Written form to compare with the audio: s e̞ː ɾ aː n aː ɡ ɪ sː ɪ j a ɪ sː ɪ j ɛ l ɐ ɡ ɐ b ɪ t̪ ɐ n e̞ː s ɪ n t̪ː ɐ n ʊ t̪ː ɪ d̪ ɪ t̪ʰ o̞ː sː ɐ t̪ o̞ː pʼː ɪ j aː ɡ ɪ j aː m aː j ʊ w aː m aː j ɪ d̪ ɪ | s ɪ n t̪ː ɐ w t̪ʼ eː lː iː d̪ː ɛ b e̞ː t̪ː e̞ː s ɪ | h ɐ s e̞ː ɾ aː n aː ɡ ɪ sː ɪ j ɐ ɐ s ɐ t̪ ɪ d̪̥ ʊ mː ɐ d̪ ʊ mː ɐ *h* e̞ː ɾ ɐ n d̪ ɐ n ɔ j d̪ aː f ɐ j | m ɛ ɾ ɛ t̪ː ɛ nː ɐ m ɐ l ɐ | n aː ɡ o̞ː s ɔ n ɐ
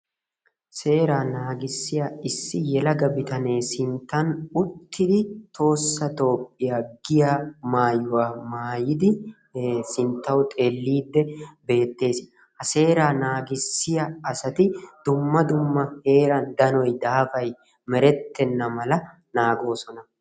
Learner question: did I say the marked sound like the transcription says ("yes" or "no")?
yes